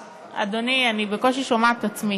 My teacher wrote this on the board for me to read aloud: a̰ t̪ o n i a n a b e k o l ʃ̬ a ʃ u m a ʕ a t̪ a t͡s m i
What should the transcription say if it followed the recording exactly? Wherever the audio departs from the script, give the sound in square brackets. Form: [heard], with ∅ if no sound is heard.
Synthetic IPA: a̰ [d̪] o n i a n [i] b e k o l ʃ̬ [i] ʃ [o] m a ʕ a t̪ a t͡s m i